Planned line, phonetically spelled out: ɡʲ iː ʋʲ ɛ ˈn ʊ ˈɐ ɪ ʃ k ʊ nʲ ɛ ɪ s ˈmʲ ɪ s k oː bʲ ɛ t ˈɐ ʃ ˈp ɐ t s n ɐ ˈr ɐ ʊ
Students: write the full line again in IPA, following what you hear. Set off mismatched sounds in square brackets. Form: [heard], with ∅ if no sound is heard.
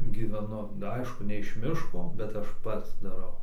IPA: ɡʲ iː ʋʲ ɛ ˈn ʊ ˈɐ ɪ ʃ k ʊ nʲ ɛ ɪ [ʃ] ˈmʲ ɪ [ʃ] k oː bʲ ɛ t ˈɐ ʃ ˈp ɐ t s [d] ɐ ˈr ɐ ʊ

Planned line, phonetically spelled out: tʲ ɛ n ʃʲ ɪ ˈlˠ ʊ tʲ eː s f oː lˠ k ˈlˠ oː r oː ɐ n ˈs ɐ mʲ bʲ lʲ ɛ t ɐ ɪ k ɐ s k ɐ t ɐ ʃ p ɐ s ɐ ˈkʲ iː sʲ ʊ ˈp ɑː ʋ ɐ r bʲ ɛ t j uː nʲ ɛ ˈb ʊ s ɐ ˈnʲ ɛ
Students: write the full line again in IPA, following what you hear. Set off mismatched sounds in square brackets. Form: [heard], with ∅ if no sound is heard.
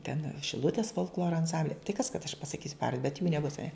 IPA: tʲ ɛ n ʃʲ ɪ ˈlˠ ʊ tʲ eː s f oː lˠ k ˈlˠ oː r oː ɐ n ˈs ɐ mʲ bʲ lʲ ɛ t ɐ ɪ k ɐ s k ɐ t ɐ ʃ p ɐ s ɐ ˈkʲ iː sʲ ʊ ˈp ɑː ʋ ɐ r bʲ ɛ t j uː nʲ ɛ ˈb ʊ s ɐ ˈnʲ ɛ

